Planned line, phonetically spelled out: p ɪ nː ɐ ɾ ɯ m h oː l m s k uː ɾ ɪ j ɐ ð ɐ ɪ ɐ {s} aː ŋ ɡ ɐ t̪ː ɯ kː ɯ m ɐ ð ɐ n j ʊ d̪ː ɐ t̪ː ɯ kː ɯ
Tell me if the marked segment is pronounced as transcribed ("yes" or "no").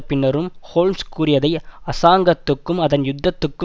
yes